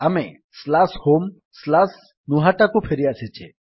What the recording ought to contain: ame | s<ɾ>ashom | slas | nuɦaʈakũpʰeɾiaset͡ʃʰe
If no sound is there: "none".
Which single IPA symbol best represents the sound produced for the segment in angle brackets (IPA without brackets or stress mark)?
l